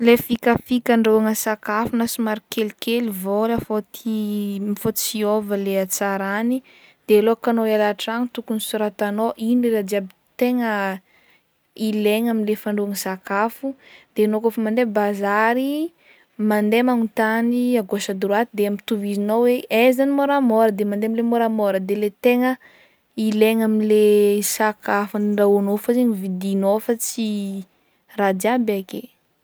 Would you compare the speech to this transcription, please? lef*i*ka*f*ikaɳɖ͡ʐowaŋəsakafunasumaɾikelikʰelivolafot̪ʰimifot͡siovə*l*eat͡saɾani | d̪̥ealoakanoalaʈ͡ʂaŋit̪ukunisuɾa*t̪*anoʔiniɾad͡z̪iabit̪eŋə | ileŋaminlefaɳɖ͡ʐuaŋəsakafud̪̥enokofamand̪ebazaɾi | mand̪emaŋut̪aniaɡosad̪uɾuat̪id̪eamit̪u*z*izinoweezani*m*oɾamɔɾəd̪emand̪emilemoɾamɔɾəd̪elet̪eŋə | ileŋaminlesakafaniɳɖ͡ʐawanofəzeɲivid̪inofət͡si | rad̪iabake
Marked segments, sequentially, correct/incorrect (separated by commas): correct, correct, correct, correct, incorrect, correct